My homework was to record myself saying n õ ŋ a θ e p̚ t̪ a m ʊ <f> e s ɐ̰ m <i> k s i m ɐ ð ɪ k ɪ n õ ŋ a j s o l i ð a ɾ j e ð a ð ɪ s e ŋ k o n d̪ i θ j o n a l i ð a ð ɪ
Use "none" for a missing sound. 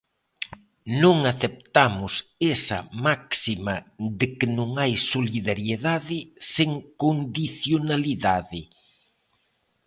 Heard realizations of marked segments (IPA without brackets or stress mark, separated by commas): s, a